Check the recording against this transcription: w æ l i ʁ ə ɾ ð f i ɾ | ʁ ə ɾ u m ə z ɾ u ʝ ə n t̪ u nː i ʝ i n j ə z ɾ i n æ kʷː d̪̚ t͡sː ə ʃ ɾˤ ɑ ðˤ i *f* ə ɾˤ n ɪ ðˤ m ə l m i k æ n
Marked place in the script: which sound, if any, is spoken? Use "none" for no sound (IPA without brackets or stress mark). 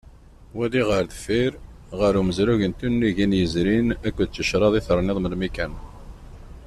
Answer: θ